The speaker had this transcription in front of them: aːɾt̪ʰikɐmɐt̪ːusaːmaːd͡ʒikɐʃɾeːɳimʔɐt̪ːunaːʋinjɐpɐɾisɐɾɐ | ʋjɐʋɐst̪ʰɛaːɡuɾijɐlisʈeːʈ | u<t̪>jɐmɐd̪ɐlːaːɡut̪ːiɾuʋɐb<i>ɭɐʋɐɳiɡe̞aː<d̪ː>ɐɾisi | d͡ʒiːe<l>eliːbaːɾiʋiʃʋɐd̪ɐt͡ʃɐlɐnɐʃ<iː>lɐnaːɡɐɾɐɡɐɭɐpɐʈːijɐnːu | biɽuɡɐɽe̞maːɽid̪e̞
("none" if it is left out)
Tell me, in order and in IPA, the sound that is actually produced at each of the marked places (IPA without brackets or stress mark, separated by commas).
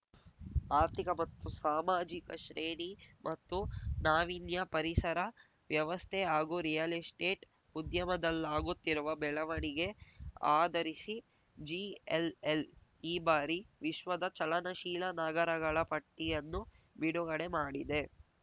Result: d̪, ɛ, d̪, l, iː